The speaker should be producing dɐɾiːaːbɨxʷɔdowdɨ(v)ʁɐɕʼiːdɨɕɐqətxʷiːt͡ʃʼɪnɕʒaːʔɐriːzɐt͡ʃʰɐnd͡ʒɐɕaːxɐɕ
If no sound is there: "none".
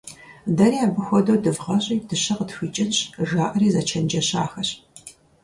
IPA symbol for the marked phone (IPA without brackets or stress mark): v